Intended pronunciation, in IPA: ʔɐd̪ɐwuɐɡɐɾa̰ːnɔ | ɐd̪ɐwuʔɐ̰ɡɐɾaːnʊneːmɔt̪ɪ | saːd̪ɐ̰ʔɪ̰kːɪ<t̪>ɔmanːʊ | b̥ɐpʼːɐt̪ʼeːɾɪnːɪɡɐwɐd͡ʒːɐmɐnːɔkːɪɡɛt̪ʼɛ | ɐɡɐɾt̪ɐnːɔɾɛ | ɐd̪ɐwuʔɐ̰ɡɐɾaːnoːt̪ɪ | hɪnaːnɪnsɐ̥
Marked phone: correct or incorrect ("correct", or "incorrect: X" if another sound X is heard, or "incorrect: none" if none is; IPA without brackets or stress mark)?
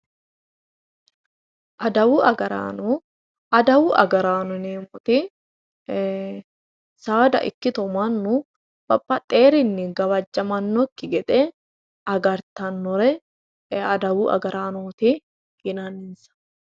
correct